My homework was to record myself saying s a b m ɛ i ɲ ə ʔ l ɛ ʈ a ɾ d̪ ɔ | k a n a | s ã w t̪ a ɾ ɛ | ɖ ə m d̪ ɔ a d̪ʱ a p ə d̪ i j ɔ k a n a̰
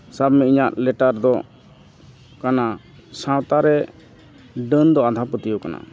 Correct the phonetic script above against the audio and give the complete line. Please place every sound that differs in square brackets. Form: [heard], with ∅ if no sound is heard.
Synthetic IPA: s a b m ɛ i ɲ [a] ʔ l ɛ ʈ a ɾ d̪ ɔ | k a n a | s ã w t̪ a ɾ ɛ | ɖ ə [n] d̪ ɔ a d̪ʱ a p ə [t̪] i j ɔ k a n a̰